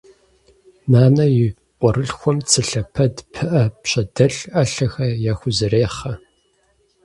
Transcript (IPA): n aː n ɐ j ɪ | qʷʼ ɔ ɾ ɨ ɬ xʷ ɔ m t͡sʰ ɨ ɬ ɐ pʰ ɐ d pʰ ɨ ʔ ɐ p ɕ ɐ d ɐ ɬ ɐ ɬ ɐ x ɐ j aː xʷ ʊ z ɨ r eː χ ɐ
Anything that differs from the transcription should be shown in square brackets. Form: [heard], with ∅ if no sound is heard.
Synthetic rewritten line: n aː n ɐ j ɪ | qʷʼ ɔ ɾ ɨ ɬ xʷ ɔ m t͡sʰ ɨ ɬ ɐ pʰ ɐ d pʰ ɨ ʔ ɐ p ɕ ɐ d ɐ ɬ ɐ ɬ ɐ x ɐ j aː xʷ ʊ z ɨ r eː χ ɐ

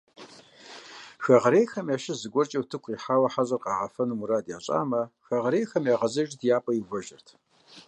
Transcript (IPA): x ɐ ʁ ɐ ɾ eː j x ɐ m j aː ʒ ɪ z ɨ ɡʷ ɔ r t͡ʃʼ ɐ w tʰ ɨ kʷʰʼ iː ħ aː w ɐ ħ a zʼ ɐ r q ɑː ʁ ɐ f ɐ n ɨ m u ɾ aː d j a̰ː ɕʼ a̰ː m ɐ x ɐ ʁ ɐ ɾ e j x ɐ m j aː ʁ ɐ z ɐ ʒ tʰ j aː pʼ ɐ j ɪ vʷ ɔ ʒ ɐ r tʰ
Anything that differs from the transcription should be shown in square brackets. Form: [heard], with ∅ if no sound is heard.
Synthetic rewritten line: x ɐ ʁ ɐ ɾ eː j x ɐ m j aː [ʃ] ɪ z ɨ ɡʷ ɔ r t͡ʃʼ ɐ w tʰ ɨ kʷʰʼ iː ħ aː w ɐ ħ a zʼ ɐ r q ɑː ʁ ɐ f ɐ n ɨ m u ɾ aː d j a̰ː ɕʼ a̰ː m ɐ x ɐ ʁ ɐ ɾ e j x ɐ m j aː ʁ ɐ z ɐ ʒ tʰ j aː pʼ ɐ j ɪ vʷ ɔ ʒ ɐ r tʰ

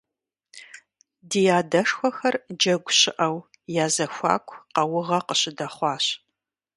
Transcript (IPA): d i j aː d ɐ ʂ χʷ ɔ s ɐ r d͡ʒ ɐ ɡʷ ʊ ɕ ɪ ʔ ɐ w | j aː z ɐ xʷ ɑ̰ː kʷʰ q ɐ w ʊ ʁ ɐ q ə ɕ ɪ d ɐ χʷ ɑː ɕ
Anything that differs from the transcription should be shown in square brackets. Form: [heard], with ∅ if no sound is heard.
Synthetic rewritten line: d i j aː d ɐ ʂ [xʷ] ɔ [x] ɐ r d͡ʒ ɐ ɡʷ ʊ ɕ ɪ ʔ ɐ w | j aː z ɐ xʷ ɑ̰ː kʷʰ q ɐ w ʊ ʁ ɐ q ə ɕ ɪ d ɐ χʷ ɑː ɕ

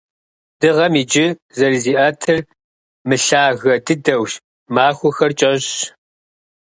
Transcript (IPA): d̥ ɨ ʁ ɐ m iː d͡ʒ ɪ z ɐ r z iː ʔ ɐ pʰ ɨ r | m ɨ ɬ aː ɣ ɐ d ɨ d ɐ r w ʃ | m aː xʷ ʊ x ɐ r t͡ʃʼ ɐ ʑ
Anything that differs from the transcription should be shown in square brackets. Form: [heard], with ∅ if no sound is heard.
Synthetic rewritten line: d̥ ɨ ʁ ɐ m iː d͡ʒ ɪ z ɐ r z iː ʔ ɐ [tʰ] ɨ r | m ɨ ɬ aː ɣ ɐ d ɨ d ɐ [∅] w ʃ | m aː xʷ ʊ x ɐ r t͡ʃʼ ɐ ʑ

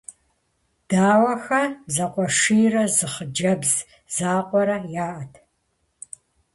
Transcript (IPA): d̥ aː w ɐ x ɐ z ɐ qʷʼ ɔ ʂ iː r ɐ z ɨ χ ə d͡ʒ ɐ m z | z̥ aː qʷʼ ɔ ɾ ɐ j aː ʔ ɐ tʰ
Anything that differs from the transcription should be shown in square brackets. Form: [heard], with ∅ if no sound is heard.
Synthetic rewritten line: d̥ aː w ɐ x ɐ z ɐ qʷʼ ɔ ʂ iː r ɐ z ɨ χ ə d͡ʒ ɐ [b] z | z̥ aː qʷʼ ɔ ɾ ɐ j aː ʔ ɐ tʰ

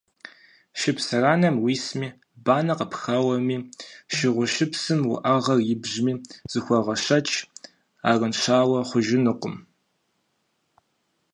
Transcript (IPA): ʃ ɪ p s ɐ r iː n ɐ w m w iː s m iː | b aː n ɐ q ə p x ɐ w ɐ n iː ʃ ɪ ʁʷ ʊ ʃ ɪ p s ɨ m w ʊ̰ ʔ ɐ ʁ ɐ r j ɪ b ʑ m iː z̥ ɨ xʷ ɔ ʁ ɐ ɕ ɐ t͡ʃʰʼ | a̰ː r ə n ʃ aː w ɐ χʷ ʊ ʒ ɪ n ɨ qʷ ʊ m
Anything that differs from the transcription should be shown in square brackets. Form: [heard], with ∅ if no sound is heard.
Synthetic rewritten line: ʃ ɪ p s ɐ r [aː] n ɐ [∅] m w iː s m iː | b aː n ɐ q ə p x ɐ w ɐ [m] iː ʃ ɪ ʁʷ ʊ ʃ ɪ p s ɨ m w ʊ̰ ʔ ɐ ʁ ɐ r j ɪ b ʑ m iː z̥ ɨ xʷ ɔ ʁ ɐ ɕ ɐ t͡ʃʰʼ | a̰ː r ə n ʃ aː w ɐ χʷ ʊ ʒ ɪ n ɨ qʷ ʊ m

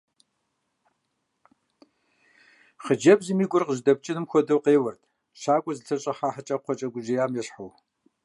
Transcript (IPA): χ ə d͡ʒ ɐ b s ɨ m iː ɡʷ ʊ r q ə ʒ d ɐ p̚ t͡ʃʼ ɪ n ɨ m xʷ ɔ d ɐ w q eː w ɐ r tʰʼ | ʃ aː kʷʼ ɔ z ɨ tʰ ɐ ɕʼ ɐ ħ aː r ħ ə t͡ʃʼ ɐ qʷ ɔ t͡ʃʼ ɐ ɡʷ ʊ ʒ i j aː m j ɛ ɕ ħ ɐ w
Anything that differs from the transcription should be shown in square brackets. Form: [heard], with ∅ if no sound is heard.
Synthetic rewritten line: χ ə d͡ʒ ɐ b [z] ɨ m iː ɡʷ ʊ r q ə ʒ d ɐ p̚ t͡ʃʼ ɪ n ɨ m xʷ ɔ d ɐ w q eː w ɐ r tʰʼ | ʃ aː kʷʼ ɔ z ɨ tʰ ɐ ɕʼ ɐ ħ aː [∅] ħ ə t͡ʃʼ ɐ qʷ ɔ t͡ʃʼ ɐ ɡʷ ʊ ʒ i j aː m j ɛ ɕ ħ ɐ w

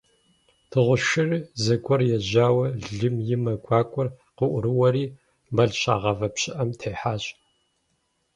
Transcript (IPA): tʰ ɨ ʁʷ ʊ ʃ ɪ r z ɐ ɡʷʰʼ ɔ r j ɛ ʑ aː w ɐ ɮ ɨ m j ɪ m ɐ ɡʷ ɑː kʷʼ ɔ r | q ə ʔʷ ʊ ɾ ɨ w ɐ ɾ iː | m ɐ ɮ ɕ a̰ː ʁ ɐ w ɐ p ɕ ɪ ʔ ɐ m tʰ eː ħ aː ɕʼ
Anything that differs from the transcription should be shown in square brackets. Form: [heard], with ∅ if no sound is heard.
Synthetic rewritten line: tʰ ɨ ʁʷ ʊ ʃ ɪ r z ɐ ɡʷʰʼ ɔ r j ɛ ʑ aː w ɐ ɮ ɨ m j ɪ m ɐ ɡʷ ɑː kʷʼ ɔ r | q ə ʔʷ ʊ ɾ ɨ w ɐ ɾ iː | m ɐ ɮ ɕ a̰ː ʁ ɐ [v] ɐ p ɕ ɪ ʔ ɐ m tʰ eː ħ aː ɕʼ

